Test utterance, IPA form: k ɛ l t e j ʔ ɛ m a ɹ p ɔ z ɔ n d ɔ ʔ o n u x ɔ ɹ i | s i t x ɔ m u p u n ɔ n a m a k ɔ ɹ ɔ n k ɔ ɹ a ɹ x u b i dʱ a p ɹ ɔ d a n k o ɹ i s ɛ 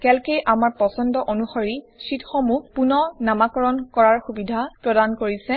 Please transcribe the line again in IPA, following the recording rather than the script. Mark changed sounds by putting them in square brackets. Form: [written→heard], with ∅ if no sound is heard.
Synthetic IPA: k ɛ l [t→k] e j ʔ [ɛ→a] m a ɹ p ɔ [z→s] ɔ n d ɔ ʔ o n u x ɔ ɹ i | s i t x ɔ m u p u n ɔ n a m a k ɔ ɹ ɔ n k ɔ ɹ a ɹ x u b i dʱ a p ɹ ɔ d a n k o ɹ i s ɛ